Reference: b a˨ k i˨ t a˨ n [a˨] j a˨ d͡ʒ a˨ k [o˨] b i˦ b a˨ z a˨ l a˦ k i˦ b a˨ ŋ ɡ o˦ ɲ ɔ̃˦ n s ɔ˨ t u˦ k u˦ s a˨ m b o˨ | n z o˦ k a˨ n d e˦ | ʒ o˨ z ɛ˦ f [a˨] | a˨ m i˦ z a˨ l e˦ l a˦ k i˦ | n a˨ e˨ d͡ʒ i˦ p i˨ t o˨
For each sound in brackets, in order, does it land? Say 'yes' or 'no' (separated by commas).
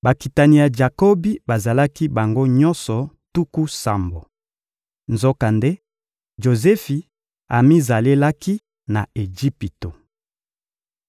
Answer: no, no, no